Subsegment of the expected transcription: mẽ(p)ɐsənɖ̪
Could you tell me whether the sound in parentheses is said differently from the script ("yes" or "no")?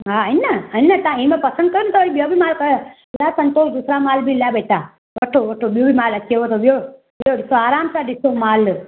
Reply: no